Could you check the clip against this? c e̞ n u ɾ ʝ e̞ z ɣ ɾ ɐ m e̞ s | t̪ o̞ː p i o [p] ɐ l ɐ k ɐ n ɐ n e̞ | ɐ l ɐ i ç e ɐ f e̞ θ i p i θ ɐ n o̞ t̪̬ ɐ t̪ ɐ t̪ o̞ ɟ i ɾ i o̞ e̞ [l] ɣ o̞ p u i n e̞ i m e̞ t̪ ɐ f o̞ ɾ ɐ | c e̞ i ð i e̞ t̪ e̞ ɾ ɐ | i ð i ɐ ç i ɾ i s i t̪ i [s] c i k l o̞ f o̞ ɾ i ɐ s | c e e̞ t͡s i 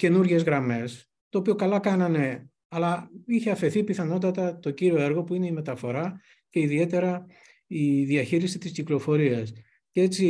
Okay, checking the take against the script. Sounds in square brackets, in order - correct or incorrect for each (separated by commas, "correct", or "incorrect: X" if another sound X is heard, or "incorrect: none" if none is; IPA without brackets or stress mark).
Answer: incorrect: k, incorrect: ɾ, correct